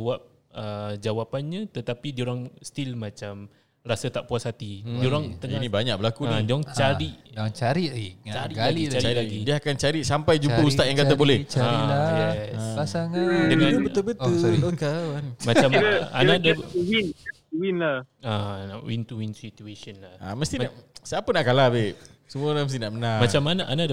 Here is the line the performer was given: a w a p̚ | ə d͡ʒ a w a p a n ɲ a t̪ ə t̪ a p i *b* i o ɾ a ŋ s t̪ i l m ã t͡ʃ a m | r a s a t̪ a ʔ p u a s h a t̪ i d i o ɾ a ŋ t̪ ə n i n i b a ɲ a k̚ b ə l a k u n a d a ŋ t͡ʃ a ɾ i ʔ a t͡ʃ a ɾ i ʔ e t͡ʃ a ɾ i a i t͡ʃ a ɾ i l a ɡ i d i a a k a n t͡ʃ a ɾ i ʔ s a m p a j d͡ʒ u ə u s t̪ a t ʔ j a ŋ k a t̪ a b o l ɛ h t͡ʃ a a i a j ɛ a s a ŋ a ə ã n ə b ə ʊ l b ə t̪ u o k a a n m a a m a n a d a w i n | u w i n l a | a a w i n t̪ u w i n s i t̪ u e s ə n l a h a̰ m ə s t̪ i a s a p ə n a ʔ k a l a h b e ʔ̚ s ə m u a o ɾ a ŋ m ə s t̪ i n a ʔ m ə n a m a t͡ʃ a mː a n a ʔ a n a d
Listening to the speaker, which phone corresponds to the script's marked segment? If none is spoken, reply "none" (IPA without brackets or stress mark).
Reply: d